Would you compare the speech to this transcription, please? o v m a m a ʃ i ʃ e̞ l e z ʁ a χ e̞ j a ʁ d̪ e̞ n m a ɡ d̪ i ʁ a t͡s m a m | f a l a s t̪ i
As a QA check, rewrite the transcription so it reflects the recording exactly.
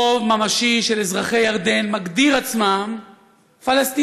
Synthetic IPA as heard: o v m a m a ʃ i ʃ e̞ l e z ʁ a χ e̞ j a ʁ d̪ e̞ n m a ɡ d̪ i ʁ a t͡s m a m | f a l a s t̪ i